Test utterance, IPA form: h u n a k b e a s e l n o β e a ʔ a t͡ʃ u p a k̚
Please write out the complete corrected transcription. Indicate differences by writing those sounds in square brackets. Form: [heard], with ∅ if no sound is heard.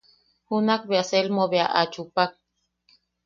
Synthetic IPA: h u n a k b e a s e l [m] o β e a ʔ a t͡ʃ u p a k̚